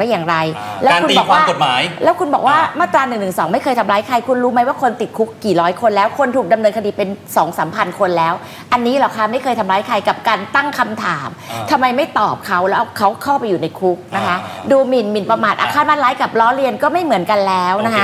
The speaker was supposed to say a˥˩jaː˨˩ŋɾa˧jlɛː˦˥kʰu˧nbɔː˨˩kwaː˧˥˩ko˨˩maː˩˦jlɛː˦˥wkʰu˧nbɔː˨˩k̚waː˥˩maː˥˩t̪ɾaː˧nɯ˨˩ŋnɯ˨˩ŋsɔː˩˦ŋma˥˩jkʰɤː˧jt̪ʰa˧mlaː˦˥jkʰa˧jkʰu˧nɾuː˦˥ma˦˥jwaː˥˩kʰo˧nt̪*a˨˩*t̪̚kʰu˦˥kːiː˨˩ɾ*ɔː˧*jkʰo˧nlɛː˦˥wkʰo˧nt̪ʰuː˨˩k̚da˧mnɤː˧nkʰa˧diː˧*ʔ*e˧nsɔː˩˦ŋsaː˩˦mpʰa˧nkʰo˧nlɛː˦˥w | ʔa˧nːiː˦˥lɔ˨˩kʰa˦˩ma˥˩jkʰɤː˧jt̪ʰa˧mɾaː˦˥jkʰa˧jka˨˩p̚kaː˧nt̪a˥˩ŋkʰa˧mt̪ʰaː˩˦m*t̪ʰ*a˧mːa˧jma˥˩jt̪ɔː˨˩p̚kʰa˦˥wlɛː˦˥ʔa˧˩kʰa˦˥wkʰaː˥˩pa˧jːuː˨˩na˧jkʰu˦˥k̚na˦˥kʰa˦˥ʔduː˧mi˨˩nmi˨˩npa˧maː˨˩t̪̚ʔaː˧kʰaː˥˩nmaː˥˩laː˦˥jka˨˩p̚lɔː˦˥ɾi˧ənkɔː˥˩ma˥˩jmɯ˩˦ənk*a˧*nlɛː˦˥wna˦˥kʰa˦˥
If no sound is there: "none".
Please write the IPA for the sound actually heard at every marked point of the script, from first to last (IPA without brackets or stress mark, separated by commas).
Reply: i˨˩, ɔː˦˥, p, t̪ʰ, a˧